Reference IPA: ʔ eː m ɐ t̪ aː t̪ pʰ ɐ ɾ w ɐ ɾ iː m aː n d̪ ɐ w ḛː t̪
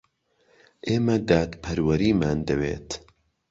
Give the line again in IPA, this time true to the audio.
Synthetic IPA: ʔ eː m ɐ d̪ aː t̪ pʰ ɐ ɾ w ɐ ɾ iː m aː n d̪ ɐ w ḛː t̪